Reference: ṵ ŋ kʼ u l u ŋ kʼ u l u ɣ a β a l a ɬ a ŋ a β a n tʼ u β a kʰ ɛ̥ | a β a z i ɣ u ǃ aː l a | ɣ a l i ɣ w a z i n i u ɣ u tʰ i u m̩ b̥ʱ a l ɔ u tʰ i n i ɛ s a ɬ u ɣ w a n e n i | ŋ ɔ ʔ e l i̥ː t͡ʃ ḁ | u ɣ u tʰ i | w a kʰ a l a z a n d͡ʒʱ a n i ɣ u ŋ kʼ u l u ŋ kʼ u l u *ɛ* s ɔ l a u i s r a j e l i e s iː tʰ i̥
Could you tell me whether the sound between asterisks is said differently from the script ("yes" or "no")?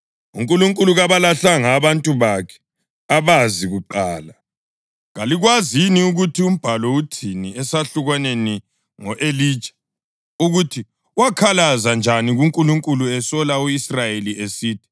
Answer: no